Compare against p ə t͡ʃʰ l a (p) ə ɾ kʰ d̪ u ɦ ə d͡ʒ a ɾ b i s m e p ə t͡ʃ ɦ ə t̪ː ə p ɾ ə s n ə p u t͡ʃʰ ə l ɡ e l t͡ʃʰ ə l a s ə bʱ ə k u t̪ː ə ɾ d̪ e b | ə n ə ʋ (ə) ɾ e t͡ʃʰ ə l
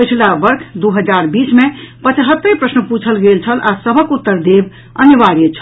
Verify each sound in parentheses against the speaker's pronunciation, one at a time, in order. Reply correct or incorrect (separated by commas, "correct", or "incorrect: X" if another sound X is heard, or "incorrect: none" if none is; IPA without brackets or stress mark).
incorrect: b, incorrect: a